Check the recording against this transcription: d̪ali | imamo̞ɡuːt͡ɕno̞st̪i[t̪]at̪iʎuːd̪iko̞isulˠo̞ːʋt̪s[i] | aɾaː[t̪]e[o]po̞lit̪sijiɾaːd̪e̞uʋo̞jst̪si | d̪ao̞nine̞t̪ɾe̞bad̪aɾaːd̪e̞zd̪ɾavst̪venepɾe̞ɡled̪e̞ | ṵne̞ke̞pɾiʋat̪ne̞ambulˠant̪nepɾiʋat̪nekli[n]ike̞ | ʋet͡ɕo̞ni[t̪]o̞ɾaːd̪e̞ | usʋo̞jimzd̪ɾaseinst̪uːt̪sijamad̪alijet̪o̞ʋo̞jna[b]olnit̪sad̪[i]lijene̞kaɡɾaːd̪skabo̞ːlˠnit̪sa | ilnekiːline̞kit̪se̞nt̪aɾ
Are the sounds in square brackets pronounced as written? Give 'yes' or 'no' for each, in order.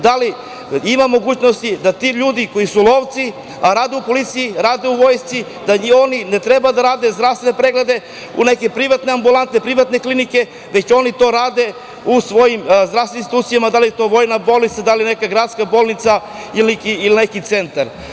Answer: no, yes, no, no, yes, yes, yes, no

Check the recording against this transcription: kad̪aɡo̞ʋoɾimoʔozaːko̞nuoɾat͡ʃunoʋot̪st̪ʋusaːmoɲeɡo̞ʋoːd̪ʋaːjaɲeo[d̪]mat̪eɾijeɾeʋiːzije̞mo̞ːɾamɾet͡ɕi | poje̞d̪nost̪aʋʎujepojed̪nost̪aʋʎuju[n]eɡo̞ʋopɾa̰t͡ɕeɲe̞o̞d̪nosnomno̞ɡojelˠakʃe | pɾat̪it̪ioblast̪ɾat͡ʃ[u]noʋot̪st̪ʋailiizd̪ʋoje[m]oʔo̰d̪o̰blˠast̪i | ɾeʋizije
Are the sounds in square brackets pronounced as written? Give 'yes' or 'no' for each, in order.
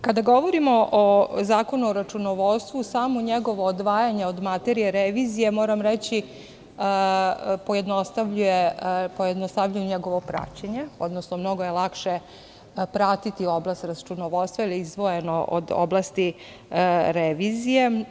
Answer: yes, no, yes, no

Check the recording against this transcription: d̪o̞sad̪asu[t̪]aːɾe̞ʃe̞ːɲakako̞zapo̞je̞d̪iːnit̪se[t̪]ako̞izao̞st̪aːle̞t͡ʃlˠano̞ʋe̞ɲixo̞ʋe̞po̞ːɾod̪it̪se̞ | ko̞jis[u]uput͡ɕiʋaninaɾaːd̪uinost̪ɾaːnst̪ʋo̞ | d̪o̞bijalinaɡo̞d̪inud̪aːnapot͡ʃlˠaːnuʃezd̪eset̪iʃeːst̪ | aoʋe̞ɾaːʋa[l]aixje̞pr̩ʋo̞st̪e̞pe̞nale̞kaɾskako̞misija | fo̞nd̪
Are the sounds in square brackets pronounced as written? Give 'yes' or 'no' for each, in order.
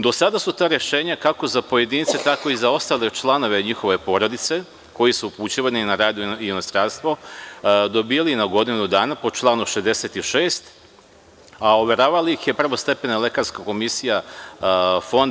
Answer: yes, yes, yes, yes

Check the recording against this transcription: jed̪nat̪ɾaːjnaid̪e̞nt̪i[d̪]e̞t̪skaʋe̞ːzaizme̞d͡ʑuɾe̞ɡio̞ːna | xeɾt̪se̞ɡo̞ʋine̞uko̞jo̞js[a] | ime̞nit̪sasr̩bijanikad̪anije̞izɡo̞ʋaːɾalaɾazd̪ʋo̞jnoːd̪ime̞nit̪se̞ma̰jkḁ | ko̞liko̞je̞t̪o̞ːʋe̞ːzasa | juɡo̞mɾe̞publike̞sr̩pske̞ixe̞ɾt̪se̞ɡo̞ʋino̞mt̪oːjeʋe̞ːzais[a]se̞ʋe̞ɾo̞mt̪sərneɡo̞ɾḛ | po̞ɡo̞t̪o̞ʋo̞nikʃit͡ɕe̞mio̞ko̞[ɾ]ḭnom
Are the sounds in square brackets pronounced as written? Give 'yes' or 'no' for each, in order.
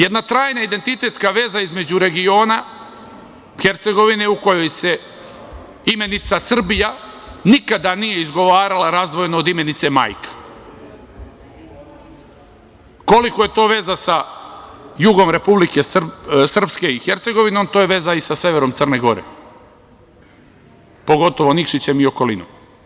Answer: no, no, yes, no

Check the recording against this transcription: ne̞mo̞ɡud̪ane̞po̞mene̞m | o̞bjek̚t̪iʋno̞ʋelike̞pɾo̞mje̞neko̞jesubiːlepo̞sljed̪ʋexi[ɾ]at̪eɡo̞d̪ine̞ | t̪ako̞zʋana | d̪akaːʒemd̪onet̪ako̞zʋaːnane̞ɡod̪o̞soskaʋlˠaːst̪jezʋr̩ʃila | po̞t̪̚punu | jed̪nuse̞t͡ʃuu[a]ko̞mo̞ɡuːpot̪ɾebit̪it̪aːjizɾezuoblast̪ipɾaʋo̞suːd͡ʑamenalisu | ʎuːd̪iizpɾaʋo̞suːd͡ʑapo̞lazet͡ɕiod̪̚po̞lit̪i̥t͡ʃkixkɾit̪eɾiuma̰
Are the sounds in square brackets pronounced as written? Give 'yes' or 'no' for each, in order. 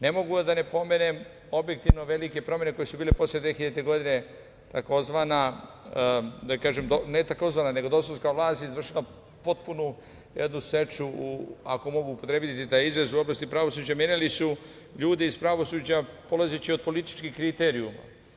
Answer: no, yes

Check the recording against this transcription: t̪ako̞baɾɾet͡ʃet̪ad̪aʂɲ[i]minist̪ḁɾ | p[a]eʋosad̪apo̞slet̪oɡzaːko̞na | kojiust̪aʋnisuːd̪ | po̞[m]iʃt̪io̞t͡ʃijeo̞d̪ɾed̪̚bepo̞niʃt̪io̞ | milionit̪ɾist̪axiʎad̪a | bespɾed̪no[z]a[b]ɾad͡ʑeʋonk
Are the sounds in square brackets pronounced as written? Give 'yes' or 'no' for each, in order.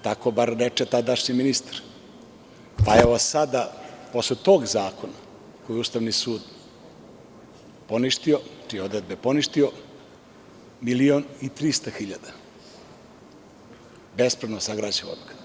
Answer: yes, yes, no, no, no

